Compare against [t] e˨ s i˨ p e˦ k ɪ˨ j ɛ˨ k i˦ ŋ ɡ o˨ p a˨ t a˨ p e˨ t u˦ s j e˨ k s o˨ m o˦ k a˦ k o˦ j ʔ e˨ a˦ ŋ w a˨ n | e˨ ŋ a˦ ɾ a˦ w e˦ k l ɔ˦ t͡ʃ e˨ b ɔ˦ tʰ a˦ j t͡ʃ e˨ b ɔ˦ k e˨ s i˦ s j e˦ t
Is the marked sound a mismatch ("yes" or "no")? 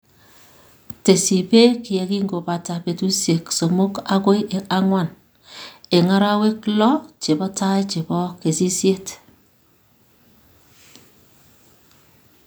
no